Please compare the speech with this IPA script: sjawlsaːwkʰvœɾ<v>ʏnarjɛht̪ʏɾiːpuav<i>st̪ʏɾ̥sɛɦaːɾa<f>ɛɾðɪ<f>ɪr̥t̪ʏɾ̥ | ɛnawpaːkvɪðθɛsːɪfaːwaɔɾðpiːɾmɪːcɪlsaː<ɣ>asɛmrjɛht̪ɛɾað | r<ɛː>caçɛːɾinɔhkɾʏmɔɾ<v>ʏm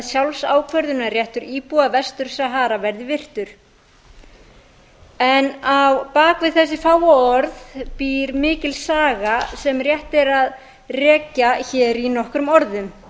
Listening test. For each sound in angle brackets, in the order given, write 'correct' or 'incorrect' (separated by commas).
incorrect, incorrect, incorrect, incorrect, correct, correct, incorrect